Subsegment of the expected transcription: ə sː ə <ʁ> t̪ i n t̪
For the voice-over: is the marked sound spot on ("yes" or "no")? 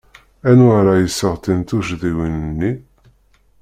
yes